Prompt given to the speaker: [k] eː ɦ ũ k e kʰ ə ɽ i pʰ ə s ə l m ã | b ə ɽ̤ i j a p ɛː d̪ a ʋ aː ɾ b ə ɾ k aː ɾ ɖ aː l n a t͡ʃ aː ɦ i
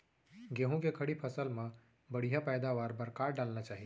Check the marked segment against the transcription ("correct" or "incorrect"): incorrect